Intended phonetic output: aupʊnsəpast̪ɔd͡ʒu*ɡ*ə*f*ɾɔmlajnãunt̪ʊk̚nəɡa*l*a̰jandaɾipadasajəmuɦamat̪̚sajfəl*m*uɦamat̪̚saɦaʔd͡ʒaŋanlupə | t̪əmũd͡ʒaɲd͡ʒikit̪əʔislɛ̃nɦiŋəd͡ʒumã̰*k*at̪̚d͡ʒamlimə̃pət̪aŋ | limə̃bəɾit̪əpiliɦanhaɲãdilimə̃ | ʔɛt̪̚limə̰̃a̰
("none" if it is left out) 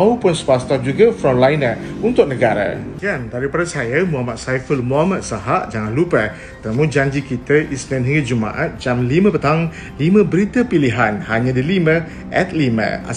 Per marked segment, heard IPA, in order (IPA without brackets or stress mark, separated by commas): ɡ, f, ɾ, m, ʔ